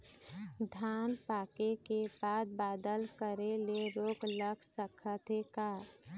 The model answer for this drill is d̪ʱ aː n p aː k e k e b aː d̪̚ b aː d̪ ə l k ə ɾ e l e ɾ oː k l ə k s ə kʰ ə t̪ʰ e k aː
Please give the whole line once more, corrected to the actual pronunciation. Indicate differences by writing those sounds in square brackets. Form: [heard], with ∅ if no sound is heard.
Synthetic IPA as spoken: d̪ʱ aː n p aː k e k e b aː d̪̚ b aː d̪ ə l k ə ɾ e l e ɾ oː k l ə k s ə kʰ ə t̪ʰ e k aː

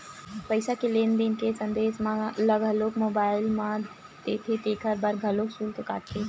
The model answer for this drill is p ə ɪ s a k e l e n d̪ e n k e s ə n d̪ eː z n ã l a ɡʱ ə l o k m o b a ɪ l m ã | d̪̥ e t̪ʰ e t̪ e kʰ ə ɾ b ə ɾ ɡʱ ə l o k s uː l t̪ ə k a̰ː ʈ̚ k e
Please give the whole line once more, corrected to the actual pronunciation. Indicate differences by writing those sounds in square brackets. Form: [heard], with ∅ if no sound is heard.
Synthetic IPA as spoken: p ə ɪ s a k e l e n d̪ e n k e s ə n d̪ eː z [m] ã l [ə] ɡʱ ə l o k m o b a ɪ l m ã | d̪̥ e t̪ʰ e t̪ e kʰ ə ɾ b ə ɾ ɡʱ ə l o k s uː l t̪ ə k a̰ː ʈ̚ k e

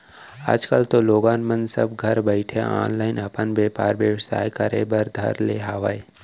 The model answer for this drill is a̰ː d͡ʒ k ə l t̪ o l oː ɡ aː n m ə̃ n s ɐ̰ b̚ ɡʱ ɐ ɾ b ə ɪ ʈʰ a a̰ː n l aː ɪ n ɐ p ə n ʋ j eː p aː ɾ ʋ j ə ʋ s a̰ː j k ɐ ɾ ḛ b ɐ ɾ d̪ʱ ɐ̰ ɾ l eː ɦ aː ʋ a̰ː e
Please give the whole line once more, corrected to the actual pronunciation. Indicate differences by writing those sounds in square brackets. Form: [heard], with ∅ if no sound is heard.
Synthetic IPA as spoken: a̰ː d͡ʒ k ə l t̪ o l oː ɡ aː n m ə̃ n s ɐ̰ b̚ ɡʱ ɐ ɾ b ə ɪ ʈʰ [e] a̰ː n l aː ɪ n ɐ p ə n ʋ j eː p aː ɾ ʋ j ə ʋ s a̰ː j k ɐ ɾ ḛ b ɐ ɾ d̪ʱ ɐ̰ ɾ l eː ɦ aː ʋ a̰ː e

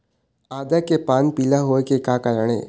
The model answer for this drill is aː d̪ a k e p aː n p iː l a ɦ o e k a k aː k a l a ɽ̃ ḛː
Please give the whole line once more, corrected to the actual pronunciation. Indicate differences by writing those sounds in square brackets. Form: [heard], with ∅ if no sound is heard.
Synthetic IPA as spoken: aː d̪ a k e p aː n p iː l a ɦ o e k [e] k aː k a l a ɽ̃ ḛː

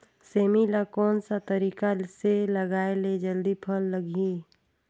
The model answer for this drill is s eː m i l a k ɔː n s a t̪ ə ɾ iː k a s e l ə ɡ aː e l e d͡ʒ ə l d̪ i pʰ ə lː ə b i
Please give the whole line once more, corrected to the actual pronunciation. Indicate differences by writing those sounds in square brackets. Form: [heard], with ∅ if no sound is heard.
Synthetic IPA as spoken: s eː m i l a k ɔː n s a t̪ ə ɾ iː k a s e l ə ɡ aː e l e d͡ʒ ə l d̪ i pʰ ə lː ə [ɡ] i

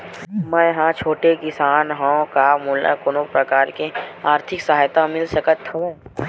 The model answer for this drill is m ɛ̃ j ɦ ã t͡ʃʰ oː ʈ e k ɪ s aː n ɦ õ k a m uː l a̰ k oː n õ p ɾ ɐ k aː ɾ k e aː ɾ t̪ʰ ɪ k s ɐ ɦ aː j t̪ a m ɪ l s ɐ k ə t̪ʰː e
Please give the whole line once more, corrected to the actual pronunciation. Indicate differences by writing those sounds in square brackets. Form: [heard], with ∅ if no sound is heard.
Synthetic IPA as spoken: m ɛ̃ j ɦ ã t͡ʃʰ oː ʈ e k ɪ s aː n ɦ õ k a m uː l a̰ k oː n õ p ɾ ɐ k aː ɾ k e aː ɾ t̪ʰ ɪ k s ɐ ɦ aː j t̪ a m ɪ l s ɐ k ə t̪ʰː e

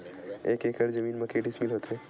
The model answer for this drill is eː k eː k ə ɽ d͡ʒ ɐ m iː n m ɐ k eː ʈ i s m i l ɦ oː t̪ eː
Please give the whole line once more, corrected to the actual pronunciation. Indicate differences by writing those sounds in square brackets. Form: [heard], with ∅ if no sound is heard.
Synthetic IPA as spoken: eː k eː k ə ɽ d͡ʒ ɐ m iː n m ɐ k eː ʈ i s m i l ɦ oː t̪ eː

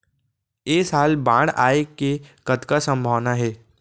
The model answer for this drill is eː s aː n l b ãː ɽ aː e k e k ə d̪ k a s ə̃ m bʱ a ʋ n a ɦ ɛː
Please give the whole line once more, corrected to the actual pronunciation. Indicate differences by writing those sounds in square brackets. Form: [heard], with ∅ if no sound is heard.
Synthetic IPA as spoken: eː s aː [∅] l b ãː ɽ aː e k e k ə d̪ k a s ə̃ m bʱ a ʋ n a ɦ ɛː

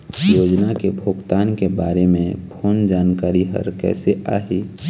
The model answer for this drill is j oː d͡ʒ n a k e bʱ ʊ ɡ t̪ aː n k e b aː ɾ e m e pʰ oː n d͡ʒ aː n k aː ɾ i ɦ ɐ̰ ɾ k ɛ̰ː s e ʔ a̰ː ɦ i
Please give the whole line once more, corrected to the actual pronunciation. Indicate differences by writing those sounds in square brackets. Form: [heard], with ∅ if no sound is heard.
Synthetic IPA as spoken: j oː d͡ʒ n a k e bʱ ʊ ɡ t̪ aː n k e b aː ɾ e m [ẽ] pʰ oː n d͡ʒ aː n k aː ɾ i ɦ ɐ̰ ɾ k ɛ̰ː s e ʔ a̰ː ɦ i

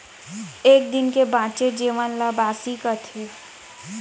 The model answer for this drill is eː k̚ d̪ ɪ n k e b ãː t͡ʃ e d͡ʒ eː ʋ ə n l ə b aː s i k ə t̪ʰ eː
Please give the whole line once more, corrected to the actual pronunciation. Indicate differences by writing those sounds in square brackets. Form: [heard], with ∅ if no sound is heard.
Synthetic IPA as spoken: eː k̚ d̪ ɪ n k e b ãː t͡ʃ e d͡ʒ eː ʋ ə n l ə b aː s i k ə t̪ʰ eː

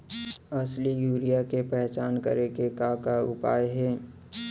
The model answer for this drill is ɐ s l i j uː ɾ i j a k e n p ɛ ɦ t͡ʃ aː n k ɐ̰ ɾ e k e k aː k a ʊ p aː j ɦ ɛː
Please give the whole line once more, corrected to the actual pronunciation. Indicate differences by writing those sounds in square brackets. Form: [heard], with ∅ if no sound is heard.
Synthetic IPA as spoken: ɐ s l i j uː ɾ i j a k e [∅] p ɛ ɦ t͡ʃ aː n k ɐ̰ ɾ e k e k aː k a ʊ p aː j ɦ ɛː

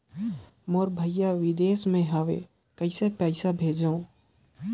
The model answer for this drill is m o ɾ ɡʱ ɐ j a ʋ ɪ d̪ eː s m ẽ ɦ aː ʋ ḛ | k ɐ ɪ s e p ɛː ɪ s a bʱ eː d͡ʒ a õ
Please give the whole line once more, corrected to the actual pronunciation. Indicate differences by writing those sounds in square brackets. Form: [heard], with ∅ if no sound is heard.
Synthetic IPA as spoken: m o ɾ [bʱ] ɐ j a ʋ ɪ d̪ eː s m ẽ ɦ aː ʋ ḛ | k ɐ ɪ s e p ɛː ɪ s a bʱ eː d͡ʒ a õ

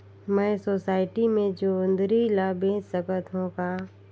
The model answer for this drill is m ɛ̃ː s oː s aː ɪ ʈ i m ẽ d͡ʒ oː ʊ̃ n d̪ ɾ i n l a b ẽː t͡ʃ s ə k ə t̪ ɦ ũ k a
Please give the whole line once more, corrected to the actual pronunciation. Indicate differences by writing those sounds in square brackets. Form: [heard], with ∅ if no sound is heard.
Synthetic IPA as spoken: m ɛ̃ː s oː s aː ɪ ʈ i m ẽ d͡ʒ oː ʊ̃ n d̪ ɾ i [∅] l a b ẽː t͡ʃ s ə k ə t̪ ɦ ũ k a

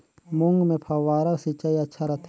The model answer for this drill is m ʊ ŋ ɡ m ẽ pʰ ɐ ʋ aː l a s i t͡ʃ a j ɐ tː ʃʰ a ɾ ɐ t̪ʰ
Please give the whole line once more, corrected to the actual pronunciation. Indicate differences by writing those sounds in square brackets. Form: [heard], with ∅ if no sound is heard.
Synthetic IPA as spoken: m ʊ ŋ ɡ m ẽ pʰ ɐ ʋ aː [ɾ] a s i t͡ʃ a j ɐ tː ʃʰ a ɾ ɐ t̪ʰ

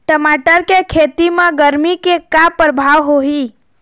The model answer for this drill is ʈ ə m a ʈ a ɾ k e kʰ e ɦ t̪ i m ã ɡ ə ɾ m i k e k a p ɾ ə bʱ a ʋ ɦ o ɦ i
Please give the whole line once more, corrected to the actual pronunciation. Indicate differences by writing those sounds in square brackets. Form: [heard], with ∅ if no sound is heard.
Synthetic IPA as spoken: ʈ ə m a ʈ [ə] ɾ k e kʰ e [∅] t̪ i m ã ɡ ə ɾ m i k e k a p ɾ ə bʱ a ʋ ɦ o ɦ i

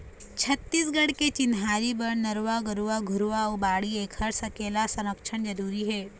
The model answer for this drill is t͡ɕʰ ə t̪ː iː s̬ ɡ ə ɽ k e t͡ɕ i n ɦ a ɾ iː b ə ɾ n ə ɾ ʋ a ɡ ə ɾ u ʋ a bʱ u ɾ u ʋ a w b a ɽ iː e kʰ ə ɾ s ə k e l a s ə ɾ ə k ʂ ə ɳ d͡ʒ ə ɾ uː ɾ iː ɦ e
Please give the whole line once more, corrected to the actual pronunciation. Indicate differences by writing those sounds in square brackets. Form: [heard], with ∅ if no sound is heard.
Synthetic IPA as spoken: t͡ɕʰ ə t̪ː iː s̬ ɡ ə ɽ k e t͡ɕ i n ɦ a ɾ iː b ə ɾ n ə ɾ ʋ a ɡ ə ɾ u ʋ a [ɡʱ] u ɾ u ʋ a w b a ɽ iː e kʰ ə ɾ s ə k e l a s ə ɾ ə k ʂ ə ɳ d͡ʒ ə ɾ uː ɾ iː ɦ e

